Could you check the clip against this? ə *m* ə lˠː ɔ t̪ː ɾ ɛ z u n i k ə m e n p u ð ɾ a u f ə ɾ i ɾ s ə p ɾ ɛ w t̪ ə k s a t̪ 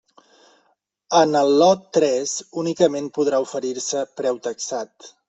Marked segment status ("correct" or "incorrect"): incorrect